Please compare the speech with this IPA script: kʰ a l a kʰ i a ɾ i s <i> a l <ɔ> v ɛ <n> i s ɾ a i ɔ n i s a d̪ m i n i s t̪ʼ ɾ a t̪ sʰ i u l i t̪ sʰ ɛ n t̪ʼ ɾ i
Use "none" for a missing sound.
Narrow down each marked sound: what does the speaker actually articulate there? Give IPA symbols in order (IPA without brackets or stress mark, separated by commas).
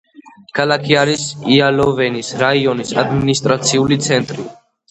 i, ɔ, n